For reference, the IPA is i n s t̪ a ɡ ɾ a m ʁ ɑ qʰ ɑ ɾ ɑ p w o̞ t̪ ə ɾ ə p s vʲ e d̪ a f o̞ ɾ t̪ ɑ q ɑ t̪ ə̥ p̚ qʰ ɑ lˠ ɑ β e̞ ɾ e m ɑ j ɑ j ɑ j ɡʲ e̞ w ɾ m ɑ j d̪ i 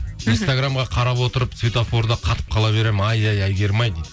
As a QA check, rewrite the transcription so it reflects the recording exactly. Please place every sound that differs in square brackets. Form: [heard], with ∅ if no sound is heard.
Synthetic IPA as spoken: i n s t̪ a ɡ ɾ a m ʁ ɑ qʰ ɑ ɾ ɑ p w o̞ t̪ ə ɾ ə p s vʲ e [t̪] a f o̞ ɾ [d̪] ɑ [qʰ] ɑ t̪ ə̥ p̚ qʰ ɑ lˠ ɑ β e̞ ɾ e m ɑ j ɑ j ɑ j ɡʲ e̞ [∅] ɾ m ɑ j d̪ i